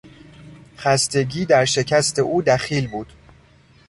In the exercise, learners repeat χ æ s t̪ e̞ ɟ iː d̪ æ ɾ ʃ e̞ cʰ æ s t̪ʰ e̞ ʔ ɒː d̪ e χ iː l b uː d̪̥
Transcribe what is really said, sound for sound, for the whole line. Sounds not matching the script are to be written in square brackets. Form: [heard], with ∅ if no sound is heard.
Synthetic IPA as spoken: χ æ s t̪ e̞ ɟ iː d̪ æ ɾ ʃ e̞ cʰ æ s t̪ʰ e̞ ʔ [uː] d̪ [æ] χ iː l b uː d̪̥